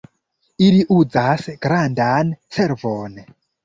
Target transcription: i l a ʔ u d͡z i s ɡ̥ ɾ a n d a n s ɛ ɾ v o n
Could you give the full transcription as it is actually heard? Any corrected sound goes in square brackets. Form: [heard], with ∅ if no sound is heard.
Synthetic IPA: i l [i] ʔ u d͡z [a] s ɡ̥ ɾ a n d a n s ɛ ɾ v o n